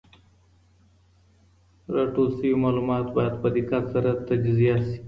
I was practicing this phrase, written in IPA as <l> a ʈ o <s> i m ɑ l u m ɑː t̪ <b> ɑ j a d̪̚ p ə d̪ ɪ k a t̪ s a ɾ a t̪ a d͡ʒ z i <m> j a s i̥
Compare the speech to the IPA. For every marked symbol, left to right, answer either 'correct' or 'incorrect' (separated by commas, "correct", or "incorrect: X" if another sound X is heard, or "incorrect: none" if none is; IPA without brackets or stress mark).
incorrect: ɾ, correct, correct, incorrect: none